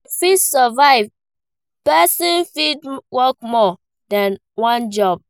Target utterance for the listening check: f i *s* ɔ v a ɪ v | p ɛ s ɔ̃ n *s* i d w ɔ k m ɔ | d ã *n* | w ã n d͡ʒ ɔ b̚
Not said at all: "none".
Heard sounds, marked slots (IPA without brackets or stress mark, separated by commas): s, f, n